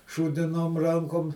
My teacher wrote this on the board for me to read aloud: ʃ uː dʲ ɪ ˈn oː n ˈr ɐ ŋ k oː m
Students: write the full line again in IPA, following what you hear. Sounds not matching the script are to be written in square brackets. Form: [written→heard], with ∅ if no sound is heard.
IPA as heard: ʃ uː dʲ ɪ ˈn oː [n→m] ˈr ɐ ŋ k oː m